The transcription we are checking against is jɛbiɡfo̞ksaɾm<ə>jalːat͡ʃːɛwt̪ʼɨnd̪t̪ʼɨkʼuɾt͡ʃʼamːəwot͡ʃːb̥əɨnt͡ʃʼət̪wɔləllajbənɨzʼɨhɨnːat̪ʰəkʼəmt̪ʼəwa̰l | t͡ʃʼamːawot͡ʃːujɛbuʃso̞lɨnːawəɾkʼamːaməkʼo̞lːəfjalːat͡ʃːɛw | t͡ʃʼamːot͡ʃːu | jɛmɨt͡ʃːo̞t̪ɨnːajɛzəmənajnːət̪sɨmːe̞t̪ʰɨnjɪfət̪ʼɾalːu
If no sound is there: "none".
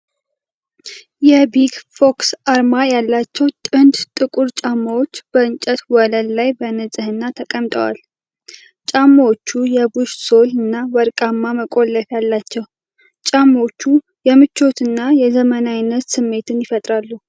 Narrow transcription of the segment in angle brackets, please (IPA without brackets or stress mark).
a